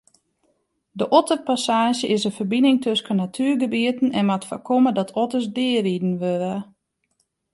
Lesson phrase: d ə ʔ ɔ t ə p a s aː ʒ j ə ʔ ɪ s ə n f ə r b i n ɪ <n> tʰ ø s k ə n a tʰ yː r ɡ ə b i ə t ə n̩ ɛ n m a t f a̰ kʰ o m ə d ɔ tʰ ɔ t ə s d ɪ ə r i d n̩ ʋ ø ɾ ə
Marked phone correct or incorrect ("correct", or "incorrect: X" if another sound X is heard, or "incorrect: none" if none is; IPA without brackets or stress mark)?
incorrect: ŋ